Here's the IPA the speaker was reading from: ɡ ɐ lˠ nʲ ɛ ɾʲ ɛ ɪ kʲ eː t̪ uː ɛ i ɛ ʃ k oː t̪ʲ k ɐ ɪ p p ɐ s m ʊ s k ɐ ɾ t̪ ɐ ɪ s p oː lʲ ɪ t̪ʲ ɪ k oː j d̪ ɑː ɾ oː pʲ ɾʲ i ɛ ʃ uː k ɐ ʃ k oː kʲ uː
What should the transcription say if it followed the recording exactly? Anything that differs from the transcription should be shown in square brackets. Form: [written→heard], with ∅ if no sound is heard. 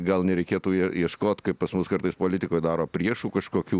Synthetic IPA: ɡ ɐ lˠ nʲ ɛ ɾʲ ɛ ɪ kʲ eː t̪ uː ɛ i ɛ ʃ k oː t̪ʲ k ɐ ɪ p p ɐ s m ʊ s k ɐ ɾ t̪ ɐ ɪ s p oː lʲ ɪ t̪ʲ ɪ k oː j d̪ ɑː ɾ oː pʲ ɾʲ i ɛ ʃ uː k ɐ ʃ k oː kʲ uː

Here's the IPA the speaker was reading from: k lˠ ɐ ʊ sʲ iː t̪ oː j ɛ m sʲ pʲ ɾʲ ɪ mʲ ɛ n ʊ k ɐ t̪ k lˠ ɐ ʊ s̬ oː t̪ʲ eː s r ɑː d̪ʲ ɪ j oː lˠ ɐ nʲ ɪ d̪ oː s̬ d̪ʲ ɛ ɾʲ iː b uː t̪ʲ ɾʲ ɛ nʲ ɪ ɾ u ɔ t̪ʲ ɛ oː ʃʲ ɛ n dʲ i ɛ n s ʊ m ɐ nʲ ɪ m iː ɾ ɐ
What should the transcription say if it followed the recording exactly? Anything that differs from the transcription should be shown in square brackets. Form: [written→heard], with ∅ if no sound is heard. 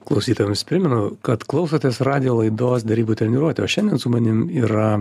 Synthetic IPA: k lˠ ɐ ʊ sʲ iː t̪ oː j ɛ m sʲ pʲ ɾʲ ɪ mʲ ɛ n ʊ k ɐ t̪ k lˠ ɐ ʊ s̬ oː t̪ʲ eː s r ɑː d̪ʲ ɪ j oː lˠ ɐ [nʲ→∅] ɪ d̪ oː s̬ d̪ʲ ɛ ɾʲ iː b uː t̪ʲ ɾʲ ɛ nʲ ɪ ɾ u ɔ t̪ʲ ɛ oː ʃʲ ɛ n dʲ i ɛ n s ʊ m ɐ nʲ ɪ m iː ɾ ɐ

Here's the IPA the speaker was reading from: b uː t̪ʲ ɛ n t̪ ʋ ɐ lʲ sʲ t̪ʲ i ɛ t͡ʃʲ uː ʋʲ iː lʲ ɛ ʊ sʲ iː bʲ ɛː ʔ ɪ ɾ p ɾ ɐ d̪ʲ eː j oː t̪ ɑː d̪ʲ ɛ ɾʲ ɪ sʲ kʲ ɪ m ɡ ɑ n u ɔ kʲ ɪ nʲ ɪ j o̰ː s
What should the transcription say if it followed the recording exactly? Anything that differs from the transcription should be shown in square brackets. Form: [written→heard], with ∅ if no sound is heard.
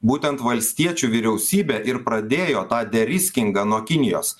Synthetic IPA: b uː t̪ʲ ɛ n t̪ ʋ ɐ lʲ sʲ t̪ʲ i ɛ t͡ʃʲ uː ʋʲ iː [lʲ→ɾʲ] ɛ ʊ sʲ iː bʲ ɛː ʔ ɪ ɾ p ɾ ɐ d̪ʲ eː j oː t̪ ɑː d̪ʲ ɛ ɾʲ ɪ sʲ kʲ ɪ [m→ŋ] ɡ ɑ n u ɔ kʲ ɪ nʲ ɪ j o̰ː s

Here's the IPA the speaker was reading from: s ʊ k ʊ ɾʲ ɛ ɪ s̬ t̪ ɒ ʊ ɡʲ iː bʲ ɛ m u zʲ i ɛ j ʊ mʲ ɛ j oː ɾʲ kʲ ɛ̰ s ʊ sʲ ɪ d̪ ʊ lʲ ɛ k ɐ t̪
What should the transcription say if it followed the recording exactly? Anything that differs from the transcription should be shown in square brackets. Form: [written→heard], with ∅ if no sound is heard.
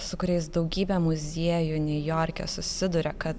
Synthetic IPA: s ʊ k ʊ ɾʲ ɛ ɪ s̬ [t̪→d̪] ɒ ʊ ɡʲ iː bʲ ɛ m [u→ʊ] zʲ i ɛ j ʊ [mʲ→nʲ] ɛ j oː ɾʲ kʲ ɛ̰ s ʊ sʲ ɪ d̪ ʊ [lʲ→ɾʲ] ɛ k ɐ t̪

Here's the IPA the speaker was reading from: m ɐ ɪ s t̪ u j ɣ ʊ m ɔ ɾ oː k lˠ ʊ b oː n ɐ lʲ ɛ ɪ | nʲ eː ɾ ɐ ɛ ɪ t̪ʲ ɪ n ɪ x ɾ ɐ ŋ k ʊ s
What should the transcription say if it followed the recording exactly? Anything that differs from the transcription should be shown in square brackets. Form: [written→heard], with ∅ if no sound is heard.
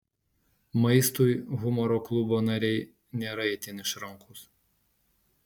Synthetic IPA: m ɐ ɪ s t̪ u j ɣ ʊ m ɔ ɾ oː k lˠ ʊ b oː n ɐ [lʲ→ɾʲ] ɛ ɪ | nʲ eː ɾ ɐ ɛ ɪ t̪ʲ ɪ n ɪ [x→ʃ] ɾ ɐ ŋ k ʊ s

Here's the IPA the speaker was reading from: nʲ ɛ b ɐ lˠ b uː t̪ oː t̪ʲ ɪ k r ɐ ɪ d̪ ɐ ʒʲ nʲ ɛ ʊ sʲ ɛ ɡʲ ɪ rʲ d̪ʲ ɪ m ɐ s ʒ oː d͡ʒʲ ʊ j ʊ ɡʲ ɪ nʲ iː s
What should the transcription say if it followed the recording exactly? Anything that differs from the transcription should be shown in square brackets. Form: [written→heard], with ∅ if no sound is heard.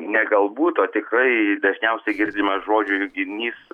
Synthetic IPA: nʲ ɛ [b→ɡ] ɐ lˠ b uː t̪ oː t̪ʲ ɪ k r ɐ ɪ d̪ ɐ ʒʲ nʲ ɛ ʊ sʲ ɛ ɡʲ ɪ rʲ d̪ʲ ɪ m ɐ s ʒ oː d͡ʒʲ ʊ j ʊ ɡʲ ɪ nʲ iː s

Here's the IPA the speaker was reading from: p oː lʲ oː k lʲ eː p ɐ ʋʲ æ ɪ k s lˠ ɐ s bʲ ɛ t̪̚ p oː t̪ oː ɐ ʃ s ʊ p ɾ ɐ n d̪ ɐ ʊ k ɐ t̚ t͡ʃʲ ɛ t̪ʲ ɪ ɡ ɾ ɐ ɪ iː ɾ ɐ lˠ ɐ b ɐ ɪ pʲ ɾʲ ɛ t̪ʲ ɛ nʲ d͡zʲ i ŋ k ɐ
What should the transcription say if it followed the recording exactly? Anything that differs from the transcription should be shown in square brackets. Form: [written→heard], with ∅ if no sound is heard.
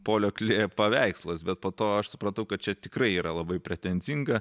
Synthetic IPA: p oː lʲ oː k lʲ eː p ɐ ʋʲ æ ɪ k s lˠ ɐ s bʲ ɛ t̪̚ p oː t̪ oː ɐ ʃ s ʊ p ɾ ɐ n [d̪→t̪] ɐ ʊ k ɐ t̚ t͡ʃʲ ɛ t̪ʲ ɪ [ɡ→k] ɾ ɐ ɪ iː ɾ ɐ lˠ ɐ b ɐ ɪ pʲ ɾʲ ɛ t̪ʲ ɛ nʲ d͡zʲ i ŋ [k→ɡ] ɐ

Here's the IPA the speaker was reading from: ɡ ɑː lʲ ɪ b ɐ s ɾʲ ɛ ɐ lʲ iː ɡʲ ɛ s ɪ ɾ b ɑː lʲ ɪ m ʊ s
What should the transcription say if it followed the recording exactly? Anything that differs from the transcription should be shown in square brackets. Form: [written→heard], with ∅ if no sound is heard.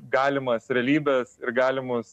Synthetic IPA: ɡ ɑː lʲ ɪ [b→m] ɐ s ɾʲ ɛ ɐ lʲ iː [ɡʲ→bʲ] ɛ s ɪ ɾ [b→ɡ] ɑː lʲ ɪ m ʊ s

